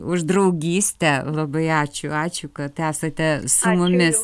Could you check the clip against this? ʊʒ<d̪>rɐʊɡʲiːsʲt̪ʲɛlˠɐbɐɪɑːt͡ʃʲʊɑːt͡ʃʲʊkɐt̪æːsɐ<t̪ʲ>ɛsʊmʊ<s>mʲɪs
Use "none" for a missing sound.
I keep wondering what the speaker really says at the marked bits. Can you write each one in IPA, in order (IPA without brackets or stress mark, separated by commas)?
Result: d̪, t̪ʲ, none